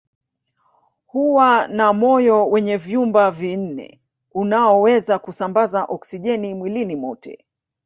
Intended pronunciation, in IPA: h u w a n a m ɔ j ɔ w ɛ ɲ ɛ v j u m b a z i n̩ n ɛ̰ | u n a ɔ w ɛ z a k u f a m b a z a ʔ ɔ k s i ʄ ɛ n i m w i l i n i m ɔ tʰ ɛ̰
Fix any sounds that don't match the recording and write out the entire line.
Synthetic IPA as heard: h u w a n a m ɔ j ɔ w ɛ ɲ ɛ v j u m b a v i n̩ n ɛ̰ | u n a ɔ w ɛ z a k u s a m b a z a ʔ ɔ k s i ʄ ɛ n i m w i l i n i m ɔ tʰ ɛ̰